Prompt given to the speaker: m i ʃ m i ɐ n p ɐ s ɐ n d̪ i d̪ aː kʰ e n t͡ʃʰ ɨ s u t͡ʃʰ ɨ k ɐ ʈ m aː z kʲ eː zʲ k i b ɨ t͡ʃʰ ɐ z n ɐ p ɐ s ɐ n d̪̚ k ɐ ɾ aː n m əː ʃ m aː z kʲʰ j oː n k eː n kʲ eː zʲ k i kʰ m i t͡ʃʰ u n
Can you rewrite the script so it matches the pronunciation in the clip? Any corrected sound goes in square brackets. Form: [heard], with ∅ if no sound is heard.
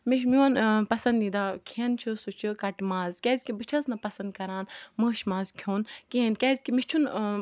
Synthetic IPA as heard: m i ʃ m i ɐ n p ɐ s ɐ n d̪ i d̪ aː kʰ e n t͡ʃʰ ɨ s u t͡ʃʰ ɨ k ɐ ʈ m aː z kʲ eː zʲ k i b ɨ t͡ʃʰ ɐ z n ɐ p ɐ s ɐ n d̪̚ k ɐ ɾ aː n m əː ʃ m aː z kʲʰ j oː n k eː n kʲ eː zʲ k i [∅] m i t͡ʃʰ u n